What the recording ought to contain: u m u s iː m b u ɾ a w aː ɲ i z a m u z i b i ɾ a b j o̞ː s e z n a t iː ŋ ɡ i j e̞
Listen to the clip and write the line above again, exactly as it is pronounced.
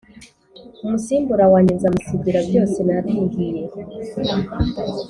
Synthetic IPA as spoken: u m u s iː m b u ɾ a w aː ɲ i z a m u s i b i ɾ a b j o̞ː s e n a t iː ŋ ɡ i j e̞